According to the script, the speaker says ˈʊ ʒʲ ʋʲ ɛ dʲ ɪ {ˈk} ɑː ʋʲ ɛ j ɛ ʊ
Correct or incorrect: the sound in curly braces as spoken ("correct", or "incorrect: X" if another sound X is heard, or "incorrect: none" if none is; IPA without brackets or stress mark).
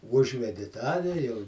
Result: incorrect: t